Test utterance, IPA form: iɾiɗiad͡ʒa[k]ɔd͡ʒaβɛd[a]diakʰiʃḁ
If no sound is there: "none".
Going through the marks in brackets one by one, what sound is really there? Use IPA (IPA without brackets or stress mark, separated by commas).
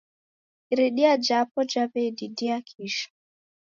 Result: p, i